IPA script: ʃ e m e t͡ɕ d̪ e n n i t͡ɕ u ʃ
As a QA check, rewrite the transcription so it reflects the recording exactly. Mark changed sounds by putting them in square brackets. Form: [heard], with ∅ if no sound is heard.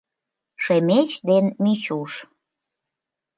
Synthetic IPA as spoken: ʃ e m e t͡ɕ d̪ e n [m] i t͡ɕ u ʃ